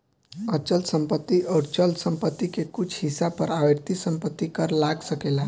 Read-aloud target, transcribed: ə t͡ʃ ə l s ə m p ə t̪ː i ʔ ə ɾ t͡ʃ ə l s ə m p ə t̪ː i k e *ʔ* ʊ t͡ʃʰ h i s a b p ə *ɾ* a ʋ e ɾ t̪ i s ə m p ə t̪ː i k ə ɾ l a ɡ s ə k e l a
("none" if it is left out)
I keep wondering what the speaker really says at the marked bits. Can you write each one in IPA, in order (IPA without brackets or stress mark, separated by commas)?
k, ɾ